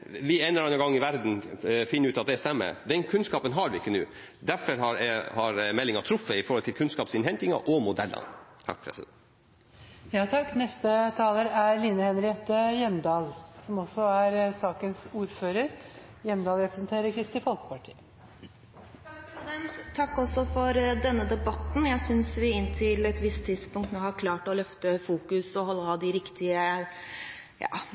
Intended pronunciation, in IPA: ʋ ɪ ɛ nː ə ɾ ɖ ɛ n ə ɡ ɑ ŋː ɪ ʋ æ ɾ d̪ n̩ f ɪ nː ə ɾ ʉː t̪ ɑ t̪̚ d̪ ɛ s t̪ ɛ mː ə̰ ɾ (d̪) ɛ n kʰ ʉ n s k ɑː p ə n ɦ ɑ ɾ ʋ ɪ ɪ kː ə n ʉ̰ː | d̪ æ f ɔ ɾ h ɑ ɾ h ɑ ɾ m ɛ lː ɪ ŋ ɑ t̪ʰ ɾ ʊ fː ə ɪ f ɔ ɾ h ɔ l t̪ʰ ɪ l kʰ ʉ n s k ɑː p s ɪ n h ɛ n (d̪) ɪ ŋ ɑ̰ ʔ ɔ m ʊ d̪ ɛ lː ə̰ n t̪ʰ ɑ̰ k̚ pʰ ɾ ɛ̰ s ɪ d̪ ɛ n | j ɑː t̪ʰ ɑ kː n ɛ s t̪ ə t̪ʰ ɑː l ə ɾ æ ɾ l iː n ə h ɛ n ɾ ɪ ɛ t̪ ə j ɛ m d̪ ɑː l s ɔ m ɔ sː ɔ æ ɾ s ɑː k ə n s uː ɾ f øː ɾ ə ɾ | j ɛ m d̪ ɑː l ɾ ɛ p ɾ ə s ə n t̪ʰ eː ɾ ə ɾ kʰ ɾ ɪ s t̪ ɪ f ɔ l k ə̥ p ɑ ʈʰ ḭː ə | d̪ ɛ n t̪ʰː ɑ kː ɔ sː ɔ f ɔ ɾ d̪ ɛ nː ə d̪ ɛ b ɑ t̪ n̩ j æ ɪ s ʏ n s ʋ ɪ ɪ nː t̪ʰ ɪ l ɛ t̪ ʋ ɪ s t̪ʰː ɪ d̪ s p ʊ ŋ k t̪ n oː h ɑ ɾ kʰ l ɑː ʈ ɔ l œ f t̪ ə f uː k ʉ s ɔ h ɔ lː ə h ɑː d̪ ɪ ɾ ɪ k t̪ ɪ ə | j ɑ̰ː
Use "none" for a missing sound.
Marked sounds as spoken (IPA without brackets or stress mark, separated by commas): d̪, t̪